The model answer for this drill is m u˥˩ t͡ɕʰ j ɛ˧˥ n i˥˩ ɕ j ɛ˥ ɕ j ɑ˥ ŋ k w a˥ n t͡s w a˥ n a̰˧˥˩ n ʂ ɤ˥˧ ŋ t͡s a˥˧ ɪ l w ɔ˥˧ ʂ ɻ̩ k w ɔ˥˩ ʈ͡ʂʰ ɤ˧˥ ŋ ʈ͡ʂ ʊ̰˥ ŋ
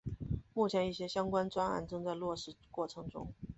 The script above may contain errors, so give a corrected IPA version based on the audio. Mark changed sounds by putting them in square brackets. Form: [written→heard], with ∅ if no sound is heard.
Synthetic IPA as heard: m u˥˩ t͡ɕʰ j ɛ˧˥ n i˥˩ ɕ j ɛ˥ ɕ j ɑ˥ ŋ k w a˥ n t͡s w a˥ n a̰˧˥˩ n [ʂ→ʈ͡ʂ] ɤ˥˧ ŋ t͡s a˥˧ ɪ l w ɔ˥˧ ʂ ɻ̩ k w ɔ˥˩ ʈ͡ʂʰ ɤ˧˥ ŋ ʈ͡ʂ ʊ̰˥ ŋ